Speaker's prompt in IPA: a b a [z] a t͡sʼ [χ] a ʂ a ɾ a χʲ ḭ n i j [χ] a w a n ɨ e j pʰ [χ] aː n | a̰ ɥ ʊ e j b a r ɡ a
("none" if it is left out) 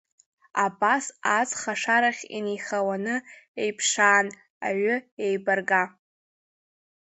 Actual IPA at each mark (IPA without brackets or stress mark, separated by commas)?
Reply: s, χ, χ, ʂ